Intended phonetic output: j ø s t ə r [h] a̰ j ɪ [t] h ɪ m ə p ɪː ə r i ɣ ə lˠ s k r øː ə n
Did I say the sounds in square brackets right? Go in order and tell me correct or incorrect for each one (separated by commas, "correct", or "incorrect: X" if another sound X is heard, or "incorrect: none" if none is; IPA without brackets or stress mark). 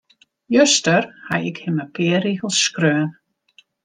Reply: correct, incorrect: k